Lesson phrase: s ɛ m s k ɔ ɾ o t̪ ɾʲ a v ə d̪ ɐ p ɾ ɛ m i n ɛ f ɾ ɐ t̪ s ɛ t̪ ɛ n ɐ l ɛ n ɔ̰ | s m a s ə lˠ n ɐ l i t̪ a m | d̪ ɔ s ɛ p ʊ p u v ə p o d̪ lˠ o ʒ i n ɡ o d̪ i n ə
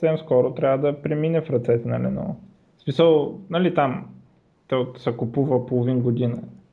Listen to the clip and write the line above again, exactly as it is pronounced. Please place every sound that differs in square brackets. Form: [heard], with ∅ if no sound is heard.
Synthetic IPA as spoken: s ɛ m s k ɔ ɾ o t̪ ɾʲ a v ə d̪ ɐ p ɾ ɛ m i n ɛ f ɾ ɐ t̪ s ɛ t̪ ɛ n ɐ l ɛ n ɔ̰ | s m [i] s ə lˠ n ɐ l i t̪ a m | [t̪] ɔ s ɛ [k] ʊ p u v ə p o [∅] lˠ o [v] i n ɡ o d̪ i n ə